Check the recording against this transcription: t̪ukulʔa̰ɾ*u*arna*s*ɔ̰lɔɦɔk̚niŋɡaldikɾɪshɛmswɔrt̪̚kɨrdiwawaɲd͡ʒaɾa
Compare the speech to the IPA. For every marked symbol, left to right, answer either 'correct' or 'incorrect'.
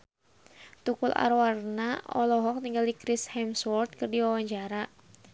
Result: incorrect, incorrect

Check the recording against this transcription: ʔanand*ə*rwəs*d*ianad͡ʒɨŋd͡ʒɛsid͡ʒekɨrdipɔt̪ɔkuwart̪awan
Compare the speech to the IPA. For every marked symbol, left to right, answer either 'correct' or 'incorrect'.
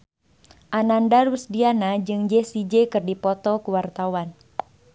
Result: incorrect, correct

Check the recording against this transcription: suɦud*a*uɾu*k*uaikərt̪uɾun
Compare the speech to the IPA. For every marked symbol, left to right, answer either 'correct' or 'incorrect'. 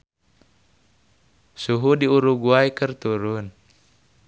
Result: incorrect, incorrect

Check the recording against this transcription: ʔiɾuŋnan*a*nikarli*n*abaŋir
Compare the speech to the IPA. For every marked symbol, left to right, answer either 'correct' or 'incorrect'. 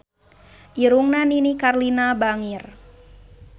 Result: incorrect, correct

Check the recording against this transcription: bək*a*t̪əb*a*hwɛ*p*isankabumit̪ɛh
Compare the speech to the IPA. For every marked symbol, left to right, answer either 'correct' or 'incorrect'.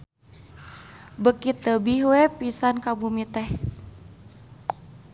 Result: incorrect, incorrect, correct

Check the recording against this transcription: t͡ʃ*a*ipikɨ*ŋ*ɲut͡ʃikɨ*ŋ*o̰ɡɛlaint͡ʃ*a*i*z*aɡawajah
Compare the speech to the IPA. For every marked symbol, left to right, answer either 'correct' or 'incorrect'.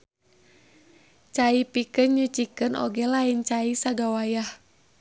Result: correct, incorrect, incorrect, correct, incorrect

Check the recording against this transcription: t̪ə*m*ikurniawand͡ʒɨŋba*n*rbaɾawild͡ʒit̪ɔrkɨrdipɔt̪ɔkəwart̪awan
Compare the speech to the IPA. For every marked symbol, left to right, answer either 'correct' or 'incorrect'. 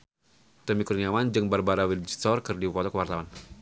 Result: correct, incorrect

